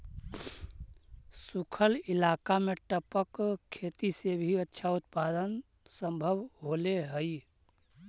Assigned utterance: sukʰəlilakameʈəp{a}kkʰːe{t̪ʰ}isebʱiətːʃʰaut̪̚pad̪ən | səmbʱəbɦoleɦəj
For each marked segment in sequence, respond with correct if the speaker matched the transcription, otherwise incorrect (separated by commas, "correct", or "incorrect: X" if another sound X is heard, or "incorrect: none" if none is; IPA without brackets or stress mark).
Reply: incorrect: ə, incorrect: t̪